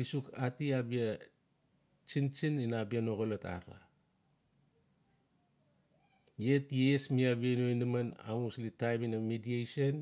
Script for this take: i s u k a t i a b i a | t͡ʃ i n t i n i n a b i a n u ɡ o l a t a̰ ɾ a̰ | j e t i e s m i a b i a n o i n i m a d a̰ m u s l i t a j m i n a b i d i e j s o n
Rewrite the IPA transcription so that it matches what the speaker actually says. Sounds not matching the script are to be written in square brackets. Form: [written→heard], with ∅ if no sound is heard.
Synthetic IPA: i s u k a t i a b i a | t͡ʃ i n [t→t͡ʃ] i n i n a b i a n [u→o] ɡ o l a t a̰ ɾ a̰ | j e t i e s m i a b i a n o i n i m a [d→n] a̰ m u s l i t a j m i n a [b→m] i d i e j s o n